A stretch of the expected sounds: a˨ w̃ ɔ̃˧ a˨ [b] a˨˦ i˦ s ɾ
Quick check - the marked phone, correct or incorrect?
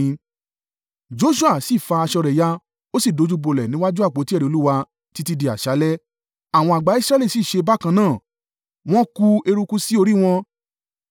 incorrect